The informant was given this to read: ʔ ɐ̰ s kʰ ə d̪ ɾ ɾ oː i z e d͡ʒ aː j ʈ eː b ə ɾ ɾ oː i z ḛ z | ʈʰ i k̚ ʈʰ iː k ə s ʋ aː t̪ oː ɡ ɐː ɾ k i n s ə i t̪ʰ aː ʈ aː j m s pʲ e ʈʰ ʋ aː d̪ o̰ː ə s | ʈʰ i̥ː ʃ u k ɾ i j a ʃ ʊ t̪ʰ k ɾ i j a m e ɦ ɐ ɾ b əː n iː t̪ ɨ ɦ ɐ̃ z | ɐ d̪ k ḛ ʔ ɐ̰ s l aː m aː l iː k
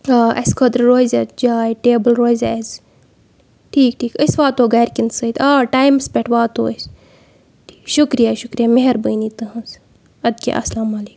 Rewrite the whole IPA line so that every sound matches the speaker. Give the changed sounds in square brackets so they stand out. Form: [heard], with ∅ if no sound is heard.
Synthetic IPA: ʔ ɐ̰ s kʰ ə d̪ ɾ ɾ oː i z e d͡ʒ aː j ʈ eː b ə [l] ɾ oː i z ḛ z | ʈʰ [iː] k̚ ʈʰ iː k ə s ʋ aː t̪ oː ɡ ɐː ɾ k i n s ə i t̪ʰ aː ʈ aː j m s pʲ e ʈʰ ʋ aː [t̪] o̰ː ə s | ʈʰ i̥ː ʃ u k ɾ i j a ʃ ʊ [∅] k ɾ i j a m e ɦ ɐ ɾ b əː n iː t̪ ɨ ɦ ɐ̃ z | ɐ d̪ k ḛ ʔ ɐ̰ s l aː m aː l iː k